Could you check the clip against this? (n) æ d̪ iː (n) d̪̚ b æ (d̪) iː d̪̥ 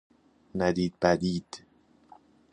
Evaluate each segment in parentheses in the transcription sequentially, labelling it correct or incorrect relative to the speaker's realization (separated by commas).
correct, incorrect, correct